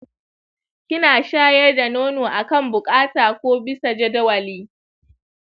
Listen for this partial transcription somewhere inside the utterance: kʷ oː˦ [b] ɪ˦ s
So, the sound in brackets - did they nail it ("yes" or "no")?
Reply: yes